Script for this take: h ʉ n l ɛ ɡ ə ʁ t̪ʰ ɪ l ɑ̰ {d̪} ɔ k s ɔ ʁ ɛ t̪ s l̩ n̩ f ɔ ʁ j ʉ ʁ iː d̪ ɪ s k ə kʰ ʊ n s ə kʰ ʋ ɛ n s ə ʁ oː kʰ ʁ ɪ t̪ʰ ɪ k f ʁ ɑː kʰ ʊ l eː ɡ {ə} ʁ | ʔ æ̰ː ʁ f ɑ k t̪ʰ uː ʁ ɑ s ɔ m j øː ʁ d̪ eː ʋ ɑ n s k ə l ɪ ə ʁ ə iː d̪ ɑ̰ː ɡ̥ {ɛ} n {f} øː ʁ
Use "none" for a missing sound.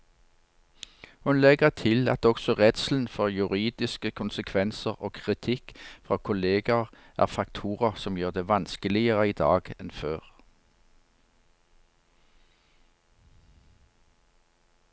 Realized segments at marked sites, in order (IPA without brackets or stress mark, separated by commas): t̪, ɑ, ɛ, f